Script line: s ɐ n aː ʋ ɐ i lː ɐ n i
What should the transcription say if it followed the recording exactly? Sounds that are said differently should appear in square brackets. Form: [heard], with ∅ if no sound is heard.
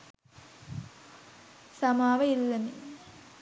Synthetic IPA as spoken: s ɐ [m] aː ʋ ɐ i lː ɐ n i